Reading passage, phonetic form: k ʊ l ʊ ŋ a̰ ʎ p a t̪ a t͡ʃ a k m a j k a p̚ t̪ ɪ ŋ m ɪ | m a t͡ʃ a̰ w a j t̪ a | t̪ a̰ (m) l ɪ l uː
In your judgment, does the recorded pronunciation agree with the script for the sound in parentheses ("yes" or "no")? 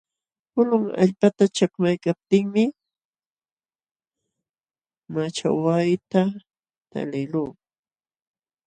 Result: no